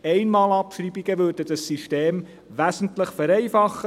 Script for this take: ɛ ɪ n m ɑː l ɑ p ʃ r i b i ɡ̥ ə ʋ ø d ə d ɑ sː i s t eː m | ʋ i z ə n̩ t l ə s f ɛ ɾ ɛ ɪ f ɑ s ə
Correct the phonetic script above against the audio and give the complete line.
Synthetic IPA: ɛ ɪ n m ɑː l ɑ p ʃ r i b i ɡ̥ ə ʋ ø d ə d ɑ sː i ʃ t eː m | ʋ æ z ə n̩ t l ə χ f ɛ ɾ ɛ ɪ f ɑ χ ə